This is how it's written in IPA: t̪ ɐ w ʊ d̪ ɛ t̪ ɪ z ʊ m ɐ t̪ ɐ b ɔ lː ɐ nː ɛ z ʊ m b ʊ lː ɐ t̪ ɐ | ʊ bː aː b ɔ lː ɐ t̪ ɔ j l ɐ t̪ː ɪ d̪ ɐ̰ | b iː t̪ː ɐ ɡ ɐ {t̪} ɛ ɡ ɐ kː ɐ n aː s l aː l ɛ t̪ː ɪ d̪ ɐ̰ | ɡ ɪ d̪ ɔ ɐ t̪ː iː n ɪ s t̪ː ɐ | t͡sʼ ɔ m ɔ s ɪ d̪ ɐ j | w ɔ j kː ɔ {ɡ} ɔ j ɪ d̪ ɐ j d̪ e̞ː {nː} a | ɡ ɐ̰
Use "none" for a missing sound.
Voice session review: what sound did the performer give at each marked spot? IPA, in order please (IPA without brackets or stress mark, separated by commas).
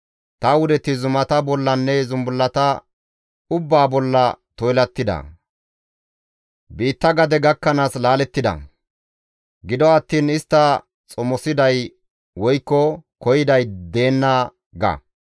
d̪, k, nː